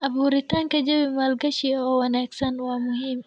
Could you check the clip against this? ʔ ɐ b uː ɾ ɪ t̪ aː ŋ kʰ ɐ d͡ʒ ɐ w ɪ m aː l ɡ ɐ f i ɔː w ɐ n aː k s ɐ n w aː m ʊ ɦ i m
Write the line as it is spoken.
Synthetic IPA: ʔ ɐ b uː ɾ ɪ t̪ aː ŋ k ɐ d͡ʒ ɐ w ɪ m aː l ɡ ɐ ʃ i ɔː w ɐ n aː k s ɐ n w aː m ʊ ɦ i m